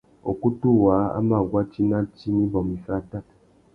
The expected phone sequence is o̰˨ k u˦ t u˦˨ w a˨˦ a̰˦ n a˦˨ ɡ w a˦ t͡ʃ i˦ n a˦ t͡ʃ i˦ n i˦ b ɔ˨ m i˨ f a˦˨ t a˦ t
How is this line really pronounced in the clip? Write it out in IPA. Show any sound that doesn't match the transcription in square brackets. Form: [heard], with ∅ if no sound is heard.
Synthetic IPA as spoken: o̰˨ k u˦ t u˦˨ w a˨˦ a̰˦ [m] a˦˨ ɡ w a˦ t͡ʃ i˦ n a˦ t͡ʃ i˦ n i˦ b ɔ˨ m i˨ f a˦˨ t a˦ t